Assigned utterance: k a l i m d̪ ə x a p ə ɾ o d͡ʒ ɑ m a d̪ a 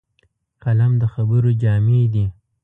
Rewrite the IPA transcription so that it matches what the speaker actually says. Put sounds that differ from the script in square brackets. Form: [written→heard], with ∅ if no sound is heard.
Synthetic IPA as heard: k a l [i→a] m d̪ ə x a [p→b] ə ɾ o d͡ʒ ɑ m [a→e] d̪ [a→i]